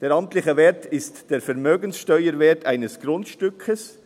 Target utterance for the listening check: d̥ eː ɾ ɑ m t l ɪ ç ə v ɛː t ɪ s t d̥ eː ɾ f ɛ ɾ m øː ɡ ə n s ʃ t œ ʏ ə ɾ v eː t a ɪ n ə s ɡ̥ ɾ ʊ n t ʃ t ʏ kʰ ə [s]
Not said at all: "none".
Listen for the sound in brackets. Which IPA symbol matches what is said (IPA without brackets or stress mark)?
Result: s